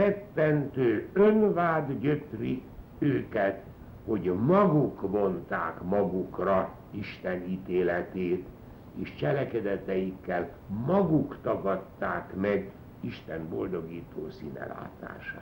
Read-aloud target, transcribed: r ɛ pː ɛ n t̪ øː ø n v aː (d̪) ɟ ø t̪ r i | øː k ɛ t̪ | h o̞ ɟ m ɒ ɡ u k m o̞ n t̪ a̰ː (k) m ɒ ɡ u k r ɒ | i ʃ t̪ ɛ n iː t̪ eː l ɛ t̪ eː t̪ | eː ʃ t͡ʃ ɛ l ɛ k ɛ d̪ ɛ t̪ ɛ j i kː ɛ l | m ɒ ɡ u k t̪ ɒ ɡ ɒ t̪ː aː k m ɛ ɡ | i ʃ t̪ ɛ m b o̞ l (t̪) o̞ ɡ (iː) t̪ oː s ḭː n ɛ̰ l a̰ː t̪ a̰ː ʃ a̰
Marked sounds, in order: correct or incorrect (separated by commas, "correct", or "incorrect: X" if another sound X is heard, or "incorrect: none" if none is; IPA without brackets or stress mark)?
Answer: correct, correct, incorrect: d̪, correct